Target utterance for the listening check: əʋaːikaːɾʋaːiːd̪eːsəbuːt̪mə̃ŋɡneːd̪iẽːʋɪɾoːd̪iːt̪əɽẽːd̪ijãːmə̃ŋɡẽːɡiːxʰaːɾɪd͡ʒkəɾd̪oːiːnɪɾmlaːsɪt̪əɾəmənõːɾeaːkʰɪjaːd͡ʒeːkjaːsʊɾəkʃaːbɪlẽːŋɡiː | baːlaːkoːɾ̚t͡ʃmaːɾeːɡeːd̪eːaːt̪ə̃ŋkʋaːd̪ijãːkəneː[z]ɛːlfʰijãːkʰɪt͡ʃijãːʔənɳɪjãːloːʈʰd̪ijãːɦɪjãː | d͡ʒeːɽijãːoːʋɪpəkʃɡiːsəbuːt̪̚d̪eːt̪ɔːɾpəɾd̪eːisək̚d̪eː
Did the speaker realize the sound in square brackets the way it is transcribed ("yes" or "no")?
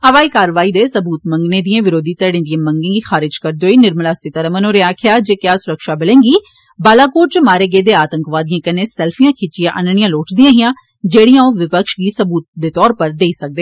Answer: no